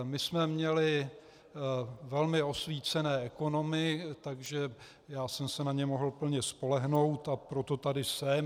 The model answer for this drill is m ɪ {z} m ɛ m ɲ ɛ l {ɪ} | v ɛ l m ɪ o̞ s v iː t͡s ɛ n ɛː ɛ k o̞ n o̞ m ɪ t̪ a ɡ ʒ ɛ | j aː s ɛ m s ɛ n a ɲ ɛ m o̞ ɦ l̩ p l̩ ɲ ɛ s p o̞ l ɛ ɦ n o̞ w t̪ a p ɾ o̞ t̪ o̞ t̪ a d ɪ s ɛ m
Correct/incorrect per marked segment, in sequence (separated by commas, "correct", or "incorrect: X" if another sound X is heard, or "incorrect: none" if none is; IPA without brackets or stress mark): incorrect: s, correct